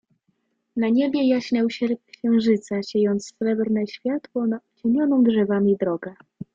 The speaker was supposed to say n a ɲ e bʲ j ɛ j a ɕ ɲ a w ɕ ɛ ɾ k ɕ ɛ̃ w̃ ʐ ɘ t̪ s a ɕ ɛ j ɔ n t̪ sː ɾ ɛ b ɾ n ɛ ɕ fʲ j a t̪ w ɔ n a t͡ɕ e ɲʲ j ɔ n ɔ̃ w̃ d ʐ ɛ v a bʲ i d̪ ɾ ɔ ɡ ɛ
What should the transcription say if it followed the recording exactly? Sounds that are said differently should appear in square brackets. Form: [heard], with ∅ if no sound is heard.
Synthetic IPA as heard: n a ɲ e bʲ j ɛ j a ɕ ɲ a w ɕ ɛ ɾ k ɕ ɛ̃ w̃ ʐ ɘ t̪ s a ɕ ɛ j ɔ n t̪ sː ɾ ɛ b ɾ n ɛ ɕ fʲ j a t̪ w ɔ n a t͡ɕ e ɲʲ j ɔ n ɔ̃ w̃ d ʐ ɛ v a [mʲ] i d̪ ɾ ɔ ɡ ɛ